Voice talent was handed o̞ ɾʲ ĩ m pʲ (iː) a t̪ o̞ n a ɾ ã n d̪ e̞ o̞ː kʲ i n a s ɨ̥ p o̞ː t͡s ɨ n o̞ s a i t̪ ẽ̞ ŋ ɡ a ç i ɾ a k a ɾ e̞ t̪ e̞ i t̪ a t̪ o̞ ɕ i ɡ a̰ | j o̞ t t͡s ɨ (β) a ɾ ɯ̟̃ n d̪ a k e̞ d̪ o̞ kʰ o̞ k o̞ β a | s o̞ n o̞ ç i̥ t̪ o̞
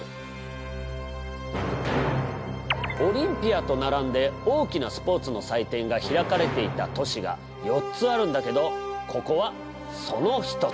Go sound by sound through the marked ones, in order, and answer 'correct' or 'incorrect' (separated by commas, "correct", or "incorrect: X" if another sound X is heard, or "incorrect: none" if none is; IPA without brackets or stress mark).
incorrect: i, incorrect: none